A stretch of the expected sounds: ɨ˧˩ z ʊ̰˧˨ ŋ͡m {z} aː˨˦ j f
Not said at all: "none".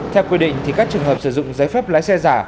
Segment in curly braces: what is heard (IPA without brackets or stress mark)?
z